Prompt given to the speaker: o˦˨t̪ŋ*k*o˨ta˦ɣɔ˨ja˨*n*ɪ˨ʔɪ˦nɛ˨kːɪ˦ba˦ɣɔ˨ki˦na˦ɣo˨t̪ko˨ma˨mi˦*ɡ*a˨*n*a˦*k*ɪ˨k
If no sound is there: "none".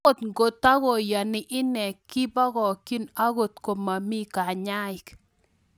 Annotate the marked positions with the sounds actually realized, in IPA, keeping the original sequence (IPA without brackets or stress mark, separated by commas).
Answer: ɡ, n, k, ɲ, none